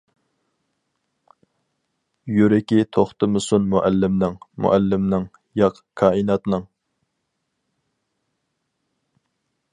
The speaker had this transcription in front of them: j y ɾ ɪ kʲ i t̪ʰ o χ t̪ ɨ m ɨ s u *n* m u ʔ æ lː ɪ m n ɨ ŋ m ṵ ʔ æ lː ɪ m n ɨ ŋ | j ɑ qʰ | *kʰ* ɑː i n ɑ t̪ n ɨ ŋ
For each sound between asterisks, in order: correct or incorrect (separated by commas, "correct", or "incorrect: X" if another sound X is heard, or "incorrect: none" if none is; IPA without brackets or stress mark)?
correct, correct